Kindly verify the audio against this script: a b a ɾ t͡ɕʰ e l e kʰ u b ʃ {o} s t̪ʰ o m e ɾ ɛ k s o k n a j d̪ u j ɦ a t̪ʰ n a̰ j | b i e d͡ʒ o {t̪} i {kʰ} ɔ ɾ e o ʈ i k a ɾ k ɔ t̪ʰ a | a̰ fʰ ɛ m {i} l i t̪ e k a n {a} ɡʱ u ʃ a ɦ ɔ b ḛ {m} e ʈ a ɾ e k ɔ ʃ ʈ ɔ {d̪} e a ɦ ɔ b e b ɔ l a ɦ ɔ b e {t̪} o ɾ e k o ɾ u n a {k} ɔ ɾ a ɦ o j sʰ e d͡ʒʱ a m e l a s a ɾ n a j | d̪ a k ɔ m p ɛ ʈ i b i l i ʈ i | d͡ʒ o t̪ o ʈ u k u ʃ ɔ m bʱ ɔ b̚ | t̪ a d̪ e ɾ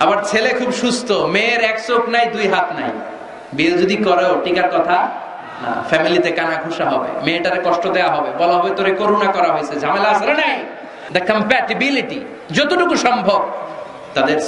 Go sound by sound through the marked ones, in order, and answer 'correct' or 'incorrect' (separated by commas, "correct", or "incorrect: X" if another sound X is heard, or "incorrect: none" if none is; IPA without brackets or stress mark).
incorrect: u, incorrect: d̪, incorrect: k, correct, correct, correct, correct, correct, correct